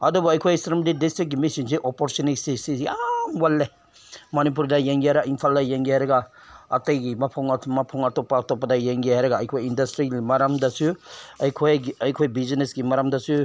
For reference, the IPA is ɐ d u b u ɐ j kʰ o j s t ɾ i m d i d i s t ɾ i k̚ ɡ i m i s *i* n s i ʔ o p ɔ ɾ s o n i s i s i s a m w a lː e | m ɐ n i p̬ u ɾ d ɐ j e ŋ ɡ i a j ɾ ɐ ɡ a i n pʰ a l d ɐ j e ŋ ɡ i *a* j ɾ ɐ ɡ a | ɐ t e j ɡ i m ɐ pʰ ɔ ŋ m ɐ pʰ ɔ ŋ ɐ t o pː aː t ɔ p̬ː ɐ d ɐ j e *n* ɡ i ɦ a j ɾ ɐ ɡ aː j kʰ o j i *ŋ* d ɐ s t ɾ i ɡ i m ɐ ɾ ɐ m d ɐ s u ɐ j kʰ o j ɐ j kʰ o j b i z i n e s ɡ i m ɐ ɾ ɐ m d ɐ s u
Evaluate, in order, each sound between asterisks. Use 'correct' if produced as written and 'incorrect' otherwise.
correct, correct, incorrect: ŋ, incorrect: n

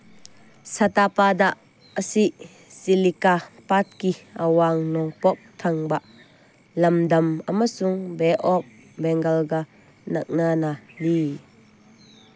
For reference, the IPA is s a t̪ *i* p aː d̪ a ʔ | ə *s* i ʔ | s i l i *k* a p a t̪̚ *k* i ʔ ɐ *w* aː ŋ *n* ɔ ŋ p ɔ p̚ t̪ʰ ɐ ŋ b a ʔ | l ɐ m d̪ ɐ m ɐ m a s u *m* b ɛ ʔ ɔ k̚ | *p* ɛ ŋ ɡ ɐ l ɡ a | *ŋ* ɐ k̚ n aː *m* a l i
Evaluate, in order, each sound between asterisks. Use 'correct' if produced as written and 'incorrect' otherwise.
incorrect: a, correct, correct, correct, correct, correct, incorrect: ŋ, incorrect: b, incorrect: n, incorrect: n

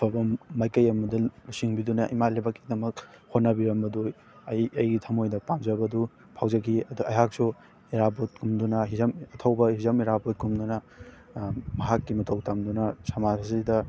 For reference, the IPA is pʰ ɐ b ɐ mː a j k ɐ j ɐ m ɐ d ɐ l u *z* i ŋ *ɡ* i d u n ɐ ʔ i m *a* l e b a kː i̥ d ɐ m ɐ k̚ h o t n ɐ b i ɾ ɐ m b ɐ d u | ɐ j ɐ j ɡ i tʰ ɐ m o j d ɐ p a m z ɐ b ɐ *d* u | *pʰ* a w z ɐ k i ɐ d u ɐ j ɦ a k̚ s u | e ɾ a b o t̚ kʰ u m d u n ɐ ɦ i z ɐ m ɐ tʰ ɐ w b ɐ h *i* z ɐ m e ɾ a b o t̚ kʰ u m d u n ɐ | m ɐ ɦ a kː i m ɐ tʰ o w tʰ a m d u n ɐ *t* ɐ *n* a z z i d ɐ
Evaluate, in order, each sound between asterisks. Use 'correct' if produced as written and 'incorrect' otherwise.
incorrect: s, incorrect: b, correct, correct, correct, correct, incorrect: s, incorrect: m

